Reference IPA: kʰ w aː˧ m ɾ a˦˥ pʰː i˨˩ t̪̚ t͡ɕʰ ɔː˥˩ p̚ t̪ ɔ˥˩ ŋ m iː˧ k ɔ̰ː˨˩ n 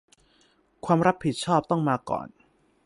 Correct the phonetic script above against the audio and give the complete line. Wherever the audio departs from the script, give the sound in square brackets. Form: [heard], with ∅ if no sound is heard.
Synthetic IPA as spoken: kʰ w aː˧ m ɾ a˦˥ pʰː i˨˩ t̪̚ t͡ɕʰ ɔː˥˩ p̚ t̪ ɔ˥˩ ŋ m [aː˧] k ɔ̰ː˨˩ n

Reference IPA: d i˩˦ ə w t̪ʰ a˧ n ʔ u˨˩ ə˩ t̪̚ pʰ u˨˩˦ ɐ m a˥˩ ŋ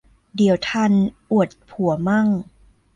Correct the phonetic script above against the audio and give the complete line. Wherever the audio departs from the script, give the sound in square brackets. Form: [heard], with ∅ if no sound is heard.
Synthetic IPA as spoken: d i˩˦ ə w t̪ʰ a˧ n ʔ u˨˩ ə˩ t̪̚ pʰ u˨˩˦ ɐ m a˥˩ ŋ

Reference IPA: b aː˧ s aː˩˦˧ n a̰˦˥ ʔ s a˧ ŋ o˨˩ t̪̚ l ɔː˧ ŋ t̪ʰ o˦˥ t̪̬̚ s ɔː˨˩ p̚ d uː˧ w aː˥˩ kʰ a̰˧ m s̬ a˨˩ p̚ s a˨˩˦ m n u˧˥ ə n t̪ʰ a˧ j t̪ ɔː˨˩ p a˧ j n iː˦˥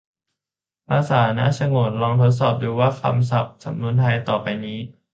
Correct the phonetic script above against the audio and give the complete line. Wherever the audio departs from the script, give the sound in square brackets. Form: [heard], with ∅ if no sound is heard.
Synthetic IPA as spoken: [p] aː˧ s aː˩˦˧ n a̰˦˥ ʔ s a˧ ŋ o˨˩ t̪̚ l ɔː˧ ŋ t̪ʰ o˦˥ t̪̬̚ s ɔː˨˩ p̚ d uː˧ w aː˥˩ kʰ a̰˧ m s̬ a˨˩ p̚ s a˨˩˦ m n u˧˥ ə n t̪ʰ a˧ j t̪ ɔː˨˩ p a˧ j n iː˦˥

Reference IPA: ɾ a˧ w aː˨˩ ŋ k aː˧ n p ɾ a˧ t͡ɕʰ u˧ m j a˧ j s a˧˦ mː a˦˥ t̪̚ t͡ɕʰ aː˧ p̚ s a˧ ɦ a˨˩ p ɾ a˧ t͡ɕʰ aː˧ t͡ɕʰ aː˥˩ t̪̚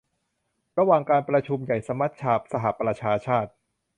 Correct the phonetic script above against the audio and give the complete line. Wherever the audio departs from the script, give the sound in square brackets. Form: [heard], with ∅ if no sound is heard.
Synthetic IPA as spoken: ɾ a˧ w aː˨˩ ŋ k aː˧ n p ɾ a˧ t͡ɕʰ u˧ m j [a˨˩] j s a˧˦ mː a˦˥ t̪̚ t͡ɕʰ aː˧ p̚ s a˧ ɦ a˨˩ p ɾ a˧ t͡ɕʰ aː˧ t͡ɕʰ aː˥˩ t̪̚

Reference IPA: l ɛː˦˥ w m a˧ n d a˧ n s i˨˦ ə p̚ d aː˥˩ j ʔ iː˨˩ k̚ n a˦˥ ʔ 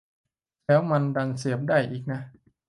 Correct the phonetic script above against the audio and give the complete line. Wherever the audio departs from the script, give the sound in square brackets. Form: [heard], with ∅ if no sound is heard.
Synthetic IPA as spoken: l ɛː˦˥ w m a˧ n d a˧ n s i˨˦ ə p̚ d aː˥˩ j ʔ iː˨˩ k̚ n a˦˥ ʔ

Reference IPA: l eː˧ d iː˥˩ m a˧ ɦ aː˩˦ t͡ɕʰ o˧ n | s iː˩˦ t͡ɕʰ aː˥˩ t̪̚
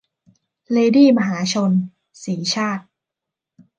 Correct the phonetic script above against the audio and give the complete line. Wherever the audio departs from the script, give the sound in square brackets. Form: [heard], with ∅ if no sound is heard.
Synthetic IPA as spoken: l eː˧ d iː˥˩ m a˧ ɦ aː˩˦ t͡ɕʰ o˧ n | s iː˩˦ t͡ɕʰ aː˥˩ t̪̚

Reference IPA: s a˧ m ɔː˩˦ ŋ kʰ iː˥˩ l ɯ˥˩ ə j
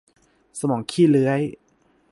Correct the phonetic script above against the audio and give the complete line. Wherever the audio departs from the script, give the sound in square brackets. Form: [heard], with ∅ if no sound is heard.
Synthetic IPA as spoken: s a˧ m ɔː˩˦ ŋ kʰ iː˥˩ l [ɯ˦˥] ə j

